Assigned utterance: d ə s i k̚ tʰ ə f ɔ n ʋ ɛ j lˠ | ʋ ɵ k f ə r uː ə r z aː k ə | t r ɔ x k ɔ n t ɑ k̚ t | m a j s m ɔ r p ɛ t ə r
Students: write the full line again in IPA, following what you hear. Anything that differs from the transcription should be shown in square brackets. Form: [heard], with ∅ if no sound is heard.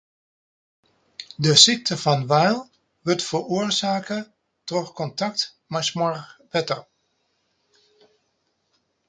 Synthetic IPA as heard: d ə s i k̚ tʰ ə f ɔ n ʋ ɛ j lˠ | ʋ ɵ [t] f ə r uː ə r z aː k ə | t r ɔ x k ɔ n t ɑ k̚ t | m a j s m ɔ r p ɛ t ə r